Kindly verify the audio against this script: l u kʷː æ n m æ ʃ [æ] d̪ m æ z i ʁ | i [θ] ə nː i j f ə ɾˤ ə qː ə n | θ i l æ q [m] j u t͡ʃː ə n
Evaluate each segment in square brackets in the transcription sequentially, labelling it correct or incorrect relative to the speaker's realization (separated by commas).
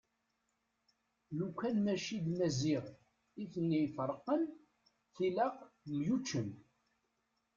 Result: incorrect, correct, correct